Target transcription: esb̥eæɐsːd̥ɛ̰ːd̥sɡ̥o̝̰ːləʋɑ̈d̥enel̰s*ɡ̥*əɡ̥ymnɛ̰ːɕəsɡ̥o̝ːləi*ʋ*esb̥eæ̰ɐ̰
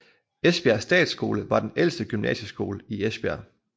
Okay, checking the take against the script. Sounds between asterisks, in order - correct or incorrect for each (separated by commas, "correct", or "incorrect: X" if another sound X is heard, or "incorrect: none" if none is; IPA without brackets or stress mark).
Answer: incorrect: d̥, incorrect: none